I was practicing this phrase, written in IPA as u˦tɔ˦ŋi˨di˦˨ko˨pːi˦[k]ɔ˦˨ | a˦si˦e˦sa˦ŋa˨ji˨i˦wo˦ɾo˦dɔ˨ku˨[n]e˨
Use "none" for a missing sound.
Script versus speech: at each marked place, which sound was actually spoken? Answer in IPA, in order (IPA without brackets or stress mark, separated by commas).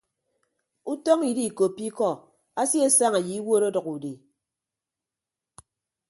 k, d